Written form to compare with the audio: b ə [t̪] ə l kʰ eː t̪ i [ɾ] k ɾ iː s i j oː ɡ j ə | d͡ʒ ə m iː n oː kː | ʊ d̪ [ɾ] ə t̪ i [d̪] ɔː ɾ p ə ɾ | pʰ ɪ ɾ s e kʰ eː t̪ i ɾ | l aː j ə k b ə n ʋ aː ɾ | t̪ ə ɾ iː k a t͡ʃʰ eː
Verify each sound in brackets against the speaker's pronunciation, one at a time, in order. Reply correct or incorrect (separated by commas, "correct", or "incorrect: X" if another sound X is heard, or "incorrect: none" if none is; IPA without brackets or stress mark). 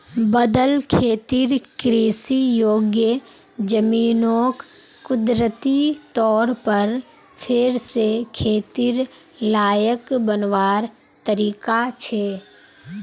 incorrect: d̪, correct, correct, incorrect: t̪